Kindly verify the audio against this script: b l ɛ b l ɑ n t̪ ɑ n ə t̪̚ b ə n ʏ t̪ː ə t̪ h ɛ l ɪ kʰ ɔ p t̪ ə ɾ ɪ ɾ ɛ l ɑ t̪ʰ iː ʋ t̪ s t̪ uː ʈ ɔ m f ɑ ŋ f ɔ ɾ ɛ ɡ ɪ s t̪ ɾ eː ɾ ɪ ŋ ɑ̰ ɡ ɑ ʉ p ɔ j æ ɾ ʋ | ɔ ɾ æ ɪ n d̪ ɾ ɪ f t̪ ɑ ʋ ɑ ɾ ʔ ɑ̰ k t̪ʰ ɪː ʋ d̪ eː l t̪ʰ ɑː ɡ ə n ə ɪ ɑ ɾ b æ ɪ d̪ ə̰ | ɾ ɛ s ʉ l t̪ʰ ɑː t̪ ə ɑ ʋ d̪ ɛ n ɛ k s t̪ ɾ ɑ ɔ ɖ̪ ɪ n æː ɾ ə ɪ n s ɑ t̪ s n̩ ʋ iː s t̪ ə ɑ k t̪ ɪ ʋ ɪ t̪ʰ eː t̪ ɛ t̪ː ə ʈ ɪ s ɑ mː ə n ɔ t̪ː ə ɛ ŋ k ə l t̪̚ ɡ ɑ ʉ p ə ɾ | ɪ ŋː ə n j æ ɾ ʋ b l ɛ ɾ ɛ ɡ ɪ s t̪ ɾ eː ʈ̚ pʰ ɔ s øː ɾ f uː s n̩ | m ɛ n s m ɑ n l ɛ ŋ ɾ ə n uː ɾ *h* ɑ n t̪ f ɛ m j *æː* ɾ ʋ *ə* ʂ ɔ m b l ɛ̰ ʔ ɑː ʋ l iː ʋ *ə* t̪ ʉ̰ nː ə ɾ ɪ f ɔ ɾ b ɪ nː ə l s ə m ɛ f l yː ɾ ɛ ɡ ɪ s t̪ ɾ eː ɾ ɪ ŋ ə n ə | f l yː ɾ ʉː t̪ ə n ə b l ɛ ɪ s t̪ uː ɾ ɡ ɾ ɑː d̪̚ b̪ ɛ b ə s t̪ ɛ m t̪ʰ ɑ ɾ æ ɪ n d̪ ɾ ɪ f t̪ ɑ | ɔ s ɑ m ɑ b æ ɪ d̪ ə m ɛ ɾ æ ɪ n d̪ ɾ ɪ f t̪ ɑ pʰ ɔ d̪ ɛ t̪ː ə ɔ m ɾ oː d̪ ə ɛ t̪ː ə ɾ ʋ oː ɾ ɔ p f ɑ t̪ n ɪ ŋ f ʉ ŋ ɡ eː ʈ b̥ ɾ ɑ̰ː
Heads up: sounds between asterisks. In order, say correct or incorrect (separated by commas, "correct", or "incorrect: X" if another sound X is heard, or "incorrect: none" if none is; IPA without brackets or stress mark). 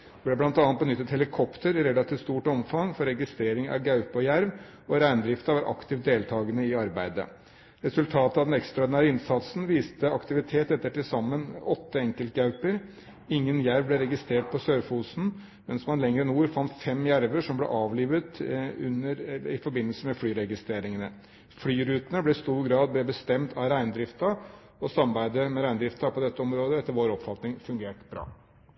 incorrect: f, incorrect: æ, correct, correct